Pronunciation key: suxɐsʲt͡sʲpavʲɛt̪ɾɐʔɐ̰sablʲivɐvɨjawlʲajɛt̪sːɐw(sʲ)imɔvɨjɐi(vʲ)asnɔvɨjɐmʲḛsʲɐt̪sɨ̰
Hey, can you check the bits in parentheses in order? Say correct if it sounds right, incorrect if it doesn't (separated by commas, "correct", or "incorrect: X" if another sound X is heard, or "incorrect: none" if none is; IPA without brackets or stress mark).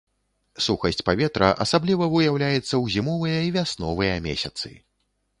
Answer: incorrect: zʲ, correct